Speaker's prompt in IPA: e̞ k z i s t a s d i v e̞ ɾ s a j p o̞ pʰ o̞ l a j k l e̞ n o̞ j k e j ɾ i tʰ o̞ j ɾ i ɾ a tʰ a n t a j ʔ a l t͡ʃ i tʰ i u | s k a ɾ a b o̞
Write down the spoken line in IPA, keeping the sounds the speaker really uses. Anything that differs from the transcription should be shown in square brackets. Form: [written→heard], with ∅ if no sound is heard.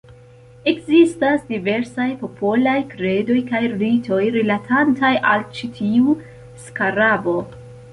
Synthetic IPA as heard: e̞ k z i s t a s d i v e̞ ɾ s a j p o̞ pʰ o̞ l a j k [l→ɾ] e̞ [n→d] o̞ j k [e→a] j ɾ i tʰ o̞ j ɾ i [ɾ→l] a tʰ a n t a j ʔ a l t͡ʃ i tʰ i u | s k a ɾ a b o̞